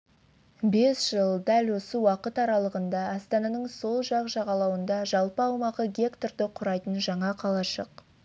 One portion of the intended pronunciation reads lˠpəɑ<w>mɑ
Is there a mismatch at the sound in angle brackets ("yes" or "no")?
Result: no